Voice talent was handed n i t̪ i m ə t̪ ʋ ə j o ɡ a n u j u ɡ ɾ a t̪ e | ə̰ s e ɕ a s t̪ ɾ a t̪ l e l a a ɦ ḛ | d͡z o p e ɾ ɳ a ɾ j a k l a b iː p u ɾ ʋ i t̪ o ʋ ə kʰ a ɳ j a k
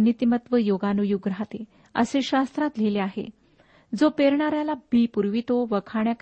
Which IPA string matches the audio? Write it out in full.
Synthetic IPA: n i t̪ i m ə t̪ ʋ ə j o ɡ a n u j u ɡ ɾ a t̪ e | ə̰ s e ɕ a s t̪ ɾ a t̪ l e l e a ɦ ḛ | d͡z o p e ɾ ɳ a ɾ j a l a b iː p u ɾ ʋ i t̪ o ʋ ə kʰ a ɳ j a k